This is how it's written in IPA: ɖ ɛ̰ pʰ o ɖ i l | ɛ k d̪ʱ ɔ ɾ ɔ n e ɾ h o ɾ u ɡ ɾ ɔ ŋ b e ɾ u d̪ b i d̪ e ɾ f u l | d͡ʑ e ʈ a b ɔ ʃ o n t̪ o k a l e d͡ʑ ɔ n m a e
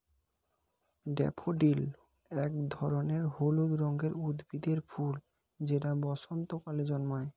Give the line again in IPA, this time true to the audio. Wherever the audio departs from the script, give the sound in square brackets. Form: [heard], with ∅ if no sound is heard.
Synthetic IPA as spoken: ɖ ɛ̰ pʰ o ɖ i l | ɛ k d̪ʱ ɔ ɾ [o] n e ɾ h o [l] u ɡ ɾ ɔ ŋ [ɡ] e ɾ u d̪ b i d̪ e ɾ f u l | d͡ʑ e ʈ a b ɔ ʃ o n t̪ o k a l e d͡ʑ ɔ n m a e